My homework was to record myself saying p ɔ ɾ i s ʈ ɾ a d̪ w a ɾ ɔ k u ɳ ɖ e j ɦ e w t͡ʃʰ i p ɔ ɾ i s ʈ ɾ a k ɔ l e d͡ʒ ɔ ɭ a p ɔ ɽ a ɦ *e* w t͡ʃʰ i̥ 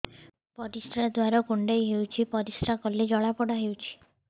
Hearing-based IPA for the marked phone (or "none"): e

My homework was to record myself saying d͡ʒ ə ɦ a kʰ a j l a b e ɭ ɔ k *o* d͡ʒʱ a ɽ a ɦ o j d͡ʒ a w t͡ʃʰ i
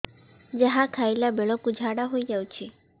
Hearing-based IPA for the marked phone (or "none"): u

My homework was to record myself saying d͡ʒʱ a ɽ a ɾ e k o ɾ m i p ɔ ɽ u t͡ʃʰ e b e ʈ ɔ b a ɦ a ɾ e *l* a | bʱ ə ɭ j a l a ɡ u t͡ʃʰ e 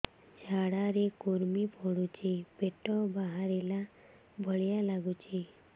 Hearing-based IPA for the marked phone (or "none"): l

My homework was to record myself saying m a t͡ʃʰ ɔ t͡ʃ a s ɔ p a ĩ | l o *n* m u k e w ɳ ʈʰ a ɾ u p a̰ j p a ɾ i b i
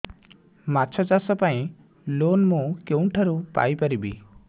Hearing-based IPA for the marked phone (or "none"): n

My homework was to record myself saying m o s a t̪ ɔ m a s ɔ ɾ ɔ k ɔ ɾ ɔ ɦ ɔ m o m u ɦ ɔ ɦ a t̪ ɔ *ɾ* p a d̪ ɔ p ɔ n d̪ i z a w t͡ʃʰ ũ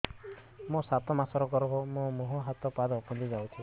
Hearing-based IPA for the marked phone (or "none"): none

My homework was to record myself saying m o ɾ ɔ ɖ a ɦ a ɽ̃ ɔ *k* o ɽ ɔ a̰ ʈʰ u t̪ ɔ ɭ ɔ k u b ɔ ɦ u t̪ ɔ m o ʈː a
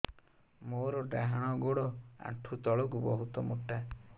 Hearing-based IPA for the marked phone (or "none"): ɡ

